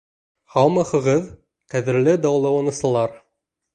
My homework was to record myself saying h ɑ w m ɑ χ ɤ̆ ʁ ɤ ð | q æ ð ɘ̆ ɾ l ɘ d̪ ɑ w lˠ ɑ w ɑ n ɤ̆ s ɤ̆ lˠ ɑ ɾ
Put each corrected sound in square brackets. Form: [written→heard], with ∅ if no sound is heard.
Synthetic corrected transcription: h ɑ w m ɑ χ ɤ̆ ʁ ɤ ð | q æ ð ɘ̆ ɾ l ɘ d̪ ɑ w lˠ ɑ w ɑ n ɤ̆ s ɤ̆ lˠ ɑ ɾ